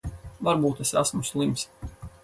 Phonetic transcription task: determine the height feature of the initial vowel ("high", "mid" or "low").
low